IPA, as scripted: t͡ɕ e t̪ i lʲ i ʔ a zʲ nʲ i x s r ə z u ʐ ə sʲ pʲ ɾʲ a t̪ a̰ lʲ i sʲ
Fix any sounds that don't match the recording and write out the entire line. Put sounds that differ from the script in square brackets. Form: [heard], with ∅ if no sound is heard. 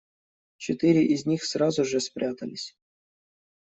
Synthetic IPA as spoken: t͡ɕ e t̪ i [ɾʲ] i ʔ [i] zʲ nʲ i x s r [ɑ] z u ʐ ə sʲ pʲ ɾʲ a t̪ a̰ lʲ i sʲ